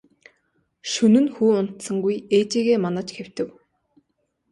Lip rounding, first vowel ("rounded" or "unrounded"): rounded